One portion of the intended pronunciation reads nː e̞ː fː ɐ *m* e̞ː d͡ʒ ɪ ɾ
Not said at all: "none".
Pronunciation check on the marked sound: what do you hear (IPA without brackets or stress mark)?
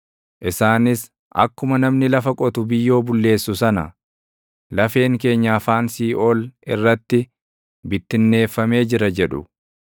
m